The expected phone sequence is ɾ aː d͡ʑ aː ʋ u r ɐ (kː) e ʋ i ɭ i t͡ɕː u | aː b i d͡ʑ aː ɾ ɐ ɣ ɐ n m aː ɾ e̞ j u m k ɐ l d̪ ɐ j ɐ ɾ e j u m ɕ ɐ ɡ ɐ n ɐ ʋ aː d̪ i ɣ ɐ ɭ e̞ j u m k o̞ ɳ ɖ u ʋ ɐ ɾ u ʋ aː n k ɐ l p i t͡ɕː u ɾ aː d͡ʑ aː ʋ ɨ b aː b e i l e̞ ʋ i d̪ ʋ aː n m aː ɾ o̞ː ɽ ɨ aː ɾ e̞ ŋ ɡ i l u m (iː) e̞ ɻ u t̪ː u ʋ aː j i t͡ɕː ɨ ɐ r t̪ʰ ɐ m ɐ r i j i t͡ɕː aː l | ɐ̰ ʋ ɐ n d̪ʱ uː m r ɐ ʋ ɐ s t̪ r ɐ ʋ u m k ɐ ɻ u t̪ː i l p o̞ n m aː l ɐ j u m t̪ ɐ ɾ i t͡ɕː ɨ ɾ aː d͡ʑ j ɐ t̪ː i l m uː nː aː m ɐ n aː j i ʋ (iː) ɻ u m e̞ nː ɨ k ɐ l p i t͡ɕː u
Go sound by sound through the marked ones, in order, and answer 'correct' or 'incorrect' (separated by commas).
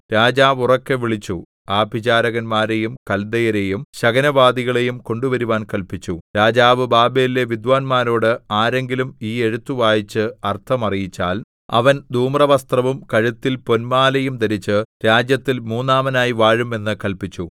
correct, correct, incorrect